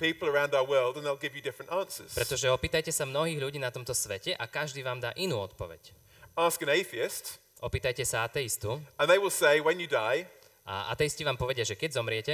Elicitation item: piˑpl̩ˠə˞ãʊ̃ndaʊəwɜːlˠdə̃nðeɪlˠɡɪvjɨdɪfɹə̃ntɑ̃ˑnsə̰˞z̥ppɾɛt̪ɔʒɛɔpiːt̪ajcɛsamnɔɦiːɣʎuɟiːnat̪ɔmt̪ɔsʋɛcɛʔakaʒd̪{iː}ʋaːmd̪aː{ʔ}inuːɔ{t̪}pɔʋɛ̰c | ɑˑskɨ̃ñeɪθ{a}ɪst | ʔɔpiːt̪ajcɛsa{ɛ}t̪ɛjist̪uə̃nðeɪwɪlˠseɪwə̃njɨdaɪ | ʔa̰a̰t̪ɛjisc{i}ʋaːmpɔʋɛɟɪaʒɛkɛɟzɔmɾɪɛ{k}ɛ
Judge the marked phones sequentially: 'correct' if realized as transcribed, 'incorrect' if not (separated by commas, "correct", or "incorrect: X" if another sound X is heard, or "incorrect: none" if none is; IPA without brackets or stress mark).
correct, correct, correct, incorrect: i, incorrect: a, correct, incorrect: c